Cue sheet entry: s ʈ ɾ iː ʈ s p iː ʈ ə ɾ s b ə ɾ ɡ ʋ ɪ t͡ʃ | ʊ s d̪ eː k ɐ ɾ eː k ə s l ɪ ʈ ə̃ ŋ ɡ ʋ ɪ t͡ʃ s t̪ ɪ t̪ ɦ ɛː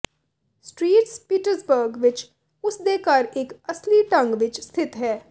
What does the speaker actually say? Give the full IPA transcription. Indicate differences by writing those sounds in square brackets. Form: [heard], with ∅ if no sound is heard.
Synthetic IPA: s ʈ ɾ iː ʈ s p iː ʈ ə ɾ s b ə ɾ ɡ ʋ ɪ t͡ʃ | ʊ s d̪ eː k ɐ ɾ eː k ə s l [i] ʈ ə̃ ŋ ɡ ʋ ɪ t͡ʃ s [t̪ʰ] ɪ t̪ ɦ ɛː